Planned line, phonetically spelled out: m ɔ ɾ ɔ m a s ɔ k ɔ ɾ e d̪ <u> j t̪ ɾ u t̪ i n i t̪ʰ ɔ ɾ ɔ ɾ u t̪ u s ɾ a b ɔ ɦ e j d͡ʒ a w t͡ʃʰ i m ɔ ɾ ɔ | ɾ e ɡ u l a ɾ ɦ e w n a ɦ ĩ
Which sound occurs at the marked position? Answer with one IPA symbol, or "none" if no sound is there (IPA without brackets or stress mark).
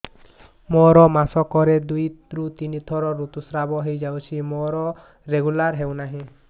u